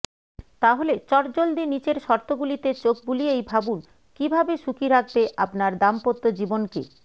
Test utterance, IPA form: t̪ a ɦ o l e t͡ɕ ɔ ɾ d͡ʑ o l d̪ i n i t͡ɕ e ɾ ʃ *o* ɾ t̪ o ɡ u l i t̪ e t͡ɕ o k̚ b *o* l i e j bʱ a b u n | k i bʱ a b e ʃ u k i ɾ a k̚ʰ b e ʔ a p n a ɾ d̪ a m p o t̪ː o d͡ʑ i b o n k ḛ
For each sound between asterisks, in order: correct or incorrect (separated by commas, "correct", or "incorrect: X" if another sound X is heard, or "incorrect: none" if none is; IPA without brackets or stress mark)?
incorrect: ɔ, incorrect: u